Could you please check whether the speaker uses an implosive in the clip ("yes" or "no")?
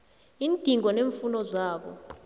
yes